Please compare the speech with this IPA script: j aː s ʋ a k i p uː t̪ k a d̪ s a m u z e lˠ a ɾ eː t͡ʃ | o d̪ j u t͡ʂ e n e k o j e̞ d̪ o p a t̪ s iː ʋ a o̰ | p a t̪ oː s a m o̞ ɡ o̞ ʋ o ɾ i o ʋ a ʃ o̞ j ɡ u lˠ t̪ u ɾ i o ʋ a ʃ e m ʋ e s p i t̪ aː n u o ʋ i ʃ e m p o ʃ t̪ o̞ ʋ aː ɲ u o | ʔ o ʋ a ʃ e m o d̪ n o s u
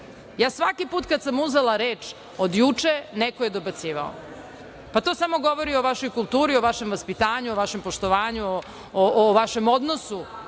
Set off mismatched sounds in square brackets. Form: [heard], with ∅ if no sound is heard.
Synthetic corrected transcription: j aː s ʋ a k i p uː t̪ k a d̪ s a m u z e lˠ a ɾ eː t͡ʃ | o d̪ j u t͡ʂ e n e k o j e̞ d̪ o [b] a t̪ s iː ʋ a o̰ | p a t̪ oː s a m o̞ ɡ o̞ ʋ o ɾ i o ʋ a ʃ o̞ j [k] u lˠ t̪ [uː] ɾ i o ʋ a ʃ e m ʋ [a] s p i t̪ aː [ɲ] u o ʋ [a] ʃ e m p o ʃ t̪ o̞ ʋ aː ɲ u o | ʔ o ʋ a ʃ e m o d̪ n o s u